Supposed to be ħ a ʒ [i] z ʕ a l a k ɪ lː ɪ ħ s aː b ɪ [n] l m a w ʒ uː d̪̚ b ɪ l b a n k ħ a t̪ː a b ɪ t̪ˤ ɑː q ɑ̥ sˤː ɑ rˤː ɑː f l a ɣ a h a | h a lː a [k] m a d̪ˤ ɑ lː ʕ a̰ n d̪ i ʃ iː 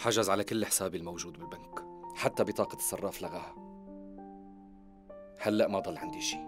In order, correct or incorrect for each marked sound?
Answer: incorrect, incorrect, incorrect

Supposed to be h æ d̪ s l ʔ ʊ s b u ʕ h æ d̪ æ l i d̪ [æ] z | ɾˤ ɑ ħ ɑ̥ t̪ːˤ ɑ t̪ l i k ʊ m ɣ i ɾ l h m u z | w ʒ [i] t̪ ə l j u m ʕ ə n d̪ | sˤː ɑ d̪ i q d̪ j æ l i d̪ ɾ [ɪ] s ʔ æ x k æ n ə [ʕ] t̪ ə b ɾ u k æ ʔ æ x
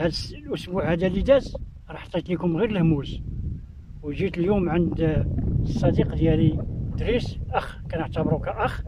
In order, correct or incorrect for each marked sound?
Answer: correct, correct, incorrect, correct

